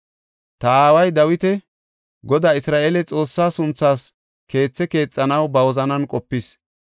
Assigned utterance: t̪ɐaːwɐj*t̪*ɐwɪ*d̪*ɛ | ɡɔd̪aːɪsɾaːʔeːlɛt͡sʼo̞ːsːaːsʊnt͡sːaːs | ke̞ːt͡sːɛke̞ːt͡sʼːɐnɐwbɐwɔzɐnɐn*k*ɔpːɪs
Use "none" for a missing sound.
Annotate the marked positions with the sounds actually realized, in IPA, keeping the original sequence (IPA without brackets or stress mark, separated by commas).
d̪, t̪, kʼ